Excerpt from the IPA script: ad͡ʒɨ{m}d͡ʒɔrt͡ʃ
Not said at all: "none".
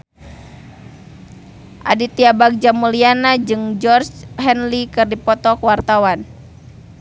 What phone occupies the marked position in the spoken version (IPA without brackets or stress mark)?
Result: ŋ